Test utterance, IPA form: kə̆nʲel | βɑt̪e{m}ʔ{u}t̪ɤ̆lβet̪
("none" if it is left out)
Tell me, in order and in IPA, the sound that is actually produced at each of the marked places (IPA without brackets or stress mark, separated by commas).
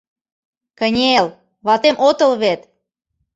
m, o